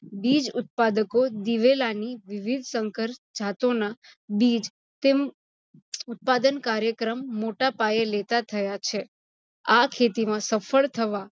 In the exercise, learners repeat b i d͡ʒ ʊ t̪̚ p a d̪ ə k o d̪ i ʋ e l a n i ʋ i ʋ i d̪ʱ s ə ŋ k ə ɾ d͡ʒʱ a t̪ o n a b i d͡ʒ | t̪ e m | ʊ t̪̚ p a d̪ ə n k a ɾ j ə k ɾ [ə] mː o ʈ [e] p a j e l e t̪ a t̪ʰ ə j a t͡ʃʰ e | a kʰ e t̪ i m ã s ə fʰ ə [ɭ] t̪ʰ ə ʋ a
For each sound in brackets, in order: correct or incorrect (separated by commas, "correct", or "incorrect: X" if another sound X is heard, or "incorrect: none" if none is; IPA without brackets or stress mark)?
correct, incorrect: a, correct